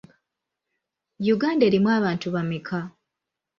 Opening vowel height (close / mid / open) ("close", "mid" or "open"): close